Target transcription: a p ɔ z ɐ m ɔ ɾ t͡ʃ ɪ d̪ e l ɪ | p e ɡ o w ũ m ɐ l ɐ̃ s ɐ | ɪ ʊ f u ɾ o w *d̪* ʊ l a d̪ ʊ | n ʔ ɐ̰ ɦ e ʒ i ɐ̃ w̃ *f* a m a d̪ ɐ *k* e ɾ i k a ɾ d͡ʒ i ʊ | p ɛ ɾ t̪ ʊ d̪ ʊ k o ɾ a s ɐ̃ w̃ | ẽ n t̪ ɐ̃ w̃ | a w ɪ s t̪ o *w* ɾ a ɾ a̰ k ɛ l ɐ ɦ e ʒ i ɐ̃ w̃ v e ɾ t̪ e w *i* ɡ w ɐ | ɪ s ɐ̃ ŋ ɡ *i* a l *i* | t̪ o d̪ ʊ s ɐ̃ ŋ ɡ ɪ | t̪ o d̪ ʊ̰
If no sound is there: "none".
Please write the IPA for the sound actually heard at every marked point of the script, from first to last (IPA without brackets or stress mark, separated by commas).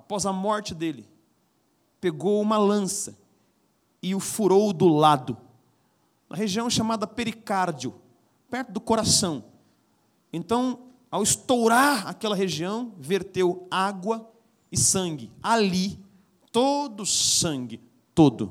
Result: d̪, ʃ, p, w, a, ɪ, i